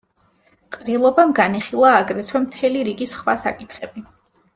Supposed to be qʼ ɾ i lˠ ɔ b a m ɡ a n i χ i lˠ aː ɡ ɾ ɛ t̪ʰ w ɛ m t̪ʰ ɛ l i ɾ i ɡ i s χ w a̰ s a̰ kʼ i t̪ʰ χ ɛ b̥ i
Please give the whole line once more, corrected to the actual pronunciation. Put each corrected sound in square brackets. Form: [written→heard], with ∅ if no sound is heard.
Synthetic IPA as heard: qʼ ɾ i lˠ ɔ b a m ɡ a n i χ i lˠ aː ɡ ɾ ɛ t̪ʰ w ɛ m t̪ʰ ɛ l i ɾ i ɡ i s χ w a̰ s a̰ kʼ i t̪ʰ χ ɛ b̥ i